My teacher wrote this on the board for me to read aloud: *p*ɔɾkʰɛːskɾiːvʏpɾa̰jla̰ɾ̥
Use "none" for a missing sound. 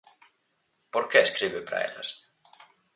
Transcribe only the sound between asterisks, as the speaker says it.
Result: p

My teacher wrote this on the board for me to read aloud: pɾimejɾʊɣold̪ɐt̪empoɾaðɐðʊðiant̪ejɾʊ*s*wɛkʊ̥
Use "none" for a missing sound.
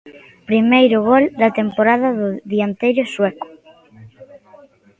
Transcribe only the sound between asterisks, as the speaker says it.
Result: s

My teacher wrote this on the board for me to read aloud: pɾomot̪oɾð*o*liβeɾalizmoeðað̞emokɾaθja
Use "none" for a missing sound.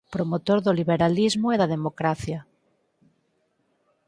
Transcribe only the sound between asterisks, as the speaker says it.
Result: o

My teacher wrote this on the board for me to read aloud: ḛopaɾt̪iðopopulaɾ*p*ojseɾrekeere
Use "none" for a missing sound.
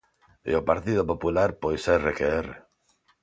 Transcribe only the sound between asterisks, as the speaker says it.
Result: p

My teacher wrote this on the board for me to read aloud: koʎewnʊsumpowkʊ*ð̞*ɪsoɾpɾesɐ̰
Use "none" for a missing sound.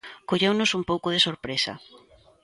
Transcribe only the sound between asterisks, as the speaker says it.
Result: ð̞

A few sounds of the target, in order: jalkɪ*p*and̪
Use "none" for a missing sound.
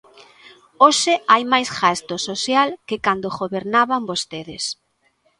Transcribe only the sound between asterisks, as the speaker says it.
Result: k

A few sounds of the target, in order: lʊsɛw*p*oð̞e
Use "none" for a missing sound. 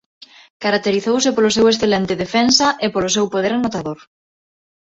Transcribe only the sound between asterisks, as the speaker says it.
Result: p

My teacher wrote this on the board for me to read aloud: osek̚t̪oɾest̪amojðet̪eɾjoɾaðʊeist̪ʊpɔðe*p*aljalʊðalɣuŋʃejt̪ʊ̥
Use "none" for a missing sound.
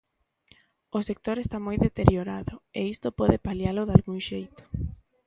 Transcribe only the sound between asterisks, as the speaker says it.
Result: p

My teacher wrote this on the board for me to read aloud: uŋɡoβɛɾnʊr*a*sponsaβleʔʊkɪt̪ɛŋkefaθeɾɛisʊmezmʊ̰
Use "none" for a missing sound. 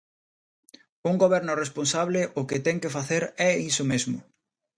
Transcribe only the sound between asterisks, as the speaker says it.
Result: e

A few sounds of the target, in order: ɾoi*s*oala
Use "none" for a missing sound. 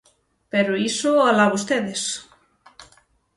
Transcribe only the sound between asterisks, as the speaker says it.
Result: s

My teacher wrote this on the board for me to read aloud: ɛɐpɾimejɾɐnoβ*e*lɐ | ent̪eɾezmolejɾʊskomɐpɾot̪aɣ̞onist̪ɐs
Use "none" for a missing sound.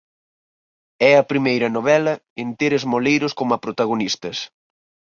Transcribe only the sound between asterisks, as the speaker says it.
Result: ɛ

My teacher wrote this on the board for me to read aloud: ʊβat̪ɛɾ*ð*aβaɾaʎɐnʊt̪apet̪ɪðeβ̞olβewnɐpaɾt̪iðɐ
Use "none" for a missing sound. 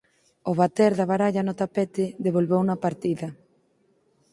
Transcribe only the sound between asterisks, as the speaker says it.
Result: ð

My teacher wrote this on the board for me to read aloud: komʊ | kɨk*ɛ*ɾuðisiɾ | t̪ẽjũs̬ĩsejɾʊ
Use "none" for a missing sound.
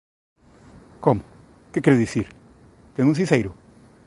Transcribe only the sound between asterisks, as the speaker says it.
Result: ɛ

